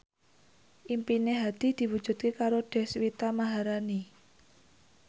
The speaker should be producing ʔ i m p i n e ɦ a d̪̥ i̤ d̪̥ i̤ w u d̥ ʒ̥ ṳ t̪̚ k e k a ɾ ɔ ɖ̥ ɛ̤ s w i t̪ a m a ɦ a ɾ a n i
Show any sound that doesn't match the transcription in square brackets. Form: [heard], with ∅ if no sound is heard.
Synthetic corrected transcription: ʔ i m p i n e ɦ a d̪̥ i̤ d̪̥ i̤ w u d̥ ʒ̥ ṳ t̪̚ k e k a ɾ [o] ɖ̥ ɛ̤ s w i t̪ a m a ɦ a ɾ a n i